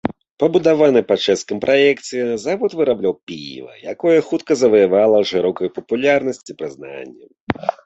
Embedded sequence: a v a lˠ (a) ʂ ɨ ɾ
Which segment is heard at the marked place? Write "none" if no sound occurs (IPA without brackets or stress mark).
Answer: ɐ